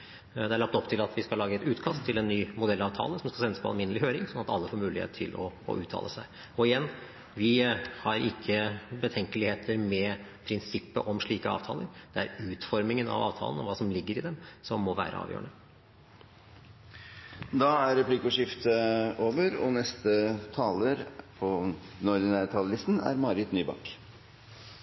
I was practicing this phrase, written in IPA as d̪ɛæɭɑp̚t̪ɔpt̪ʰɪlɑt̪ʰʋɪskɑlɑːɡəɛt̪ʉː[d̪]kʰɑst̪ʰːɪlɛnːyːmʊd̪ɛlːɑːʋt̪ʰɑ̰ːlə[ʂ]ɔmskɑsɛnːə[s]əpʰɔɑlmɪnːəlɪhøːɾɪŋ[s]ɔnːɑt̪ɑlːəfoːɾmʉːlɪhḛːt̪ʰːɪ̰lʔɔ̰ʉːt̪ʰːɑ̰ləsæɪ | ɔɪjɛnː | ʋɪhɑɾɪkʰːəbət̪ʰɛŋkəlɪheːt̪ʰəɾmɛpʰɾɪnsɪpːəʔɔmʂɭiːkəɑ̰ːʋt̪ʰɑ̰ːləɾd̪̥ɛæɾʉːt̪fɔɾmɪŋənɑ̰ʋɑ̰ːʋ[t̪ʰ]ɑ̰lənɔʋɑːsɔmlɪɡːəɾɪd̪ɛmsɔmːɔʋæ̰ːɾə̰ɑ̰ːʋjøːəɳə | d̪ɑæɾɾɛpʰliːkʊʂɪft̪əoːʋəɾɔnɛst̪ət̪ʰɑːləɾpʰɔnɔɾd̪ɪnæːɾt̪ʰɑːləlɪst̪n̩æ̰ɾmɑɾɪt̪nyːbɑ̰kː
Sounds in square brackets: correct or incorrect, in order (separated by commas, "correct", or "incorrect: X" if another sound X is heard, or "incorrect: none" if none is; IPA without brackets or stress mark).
incorrect: t̪, incorrect: s, correct, correct, correct